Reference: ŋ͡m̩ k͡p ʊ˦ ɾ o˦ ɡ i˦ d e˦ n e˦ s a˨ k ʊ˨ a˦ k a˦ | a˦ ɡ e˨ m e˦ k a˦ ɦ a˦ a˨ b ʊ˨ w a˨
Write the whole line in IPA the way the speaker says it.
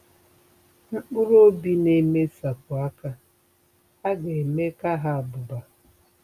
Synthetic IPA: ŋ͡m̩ k͡p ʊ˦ ɾ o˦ b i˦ n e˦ m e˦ s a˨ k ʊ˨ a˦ k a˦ | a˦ ɡ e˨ m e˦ k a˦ ɦ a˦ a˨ b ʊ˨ b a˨